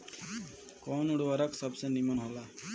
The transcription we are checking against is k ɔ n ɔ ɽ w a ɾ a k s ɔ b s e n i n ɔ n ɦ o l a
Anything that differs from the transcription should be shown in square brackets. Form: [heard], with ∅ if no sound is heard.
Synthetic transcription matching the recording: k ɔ n [u] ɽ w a ɾ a k s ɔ b s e n i [m] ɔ n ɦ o l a